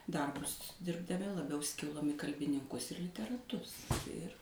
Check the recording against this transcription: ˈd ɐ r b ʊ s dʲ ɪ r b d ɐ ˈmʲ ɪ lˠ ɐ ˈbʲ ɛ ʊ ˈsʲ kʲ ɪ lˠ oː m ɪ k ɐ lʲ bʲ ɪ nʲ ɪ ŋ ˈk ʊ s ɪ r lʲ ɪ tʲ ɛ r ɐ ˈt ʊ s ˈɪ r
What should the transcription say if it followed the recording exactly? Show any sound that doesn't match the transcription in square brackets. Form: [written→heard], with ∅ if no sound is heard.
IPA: ˈd ɐ r b ʊ s dʲ ɪ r b d ɐ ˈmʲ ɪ lˠ ɐ ˈbʲ ɛ ʊ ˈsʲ kʲ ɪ lˠ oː m ɪ k ɐ lʲ bʲ ɪ nʲ ɪ ŋ ˈk ʊ s ɪ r lʲ ɪ tʲ ɛ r ɐ ˈt ʊ s ˈɪ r